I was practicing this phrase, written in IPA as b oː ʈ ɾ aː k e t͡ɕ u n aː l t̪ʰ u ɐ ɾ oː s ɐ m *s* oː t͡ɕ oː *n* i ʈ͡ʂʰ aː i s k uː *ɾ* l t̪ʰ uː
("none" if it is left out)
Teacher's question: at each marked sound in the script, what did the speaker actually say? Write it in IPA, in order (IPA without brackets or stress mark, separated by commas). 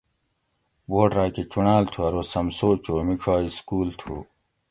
s, m, none